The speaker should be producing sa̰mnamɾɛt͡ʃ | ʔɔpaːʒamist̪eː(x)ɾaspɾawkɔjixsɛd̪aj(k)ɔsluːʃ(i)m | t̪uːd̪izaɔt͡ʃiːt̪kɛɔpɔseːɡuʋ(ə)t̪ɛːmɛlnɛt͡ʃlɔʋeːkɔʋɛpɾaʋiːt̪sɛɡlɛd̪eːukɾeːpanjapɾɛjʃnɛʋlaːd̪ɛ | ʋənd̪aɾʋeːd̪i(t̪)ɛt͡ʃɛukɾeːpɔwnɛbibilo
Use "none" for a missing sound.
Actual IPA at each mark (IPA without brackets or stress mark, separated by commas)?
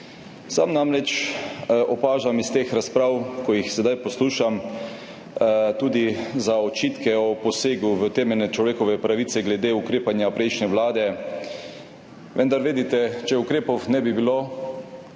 x, p, a, ə, t̪